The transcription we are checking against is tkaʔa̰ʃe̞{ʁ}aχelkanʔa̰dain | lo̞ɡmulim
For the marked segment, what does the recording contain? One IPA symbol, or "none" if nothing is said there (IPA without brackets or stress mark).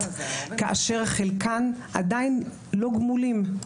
ʁ